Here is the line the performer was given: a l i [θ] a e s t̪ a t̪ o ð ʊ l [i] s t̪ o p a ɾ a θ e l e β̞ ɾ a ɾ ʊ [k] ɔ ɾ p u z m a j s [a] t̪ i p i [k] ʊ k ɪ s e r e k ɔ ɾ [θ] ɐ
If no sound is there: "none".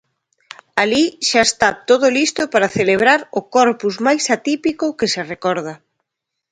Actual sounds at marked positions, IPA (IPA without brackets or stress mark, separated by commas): ʃ, i, k, a, k, ð